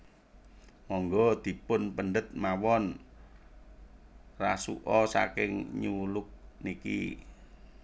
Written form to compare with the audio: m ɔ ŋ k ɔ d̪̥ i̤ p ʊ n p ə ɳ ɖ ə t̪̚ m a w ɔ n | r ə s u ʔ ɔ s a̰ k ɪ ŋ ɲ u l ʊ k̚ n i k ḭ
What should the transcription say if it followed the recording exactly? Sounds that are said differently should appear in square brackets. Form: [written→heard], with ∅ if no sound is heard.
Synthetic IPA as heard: m ɔ ŋ [k→ɡ] ɔ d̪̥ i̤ p ʊ n p ə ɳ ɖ ə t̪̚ m a w ɔ n | r [ə→a] s u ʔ ɔ s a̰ k ɪ ŋ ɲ u l ʊ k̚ n i k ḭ